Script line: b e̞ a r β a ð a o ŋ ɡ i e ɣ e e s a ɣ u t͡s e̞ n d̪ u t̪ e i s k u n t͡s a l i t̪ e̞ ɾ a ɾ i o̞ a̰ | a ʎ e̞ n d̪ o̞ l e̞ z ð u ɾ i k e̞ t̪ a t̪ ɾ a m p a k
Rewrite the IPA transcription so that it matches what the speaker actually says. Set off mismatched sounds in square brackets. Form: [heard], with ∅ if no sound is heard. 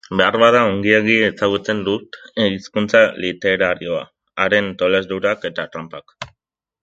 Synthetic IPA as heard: b e̞ a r β a ð a o ŋ ɡ i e ɣ [i] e s a ɣ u t͡s e̞ n d̪ u t̪ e i s k u n t͡s a l i t̪ e̞ ɾ a ɾ i o̞ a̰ | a [ɾ] e̞ n [t̪] o̞ l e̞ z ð u ɾ [a] k e̞ t̪ a t̪ ɾ a m p a k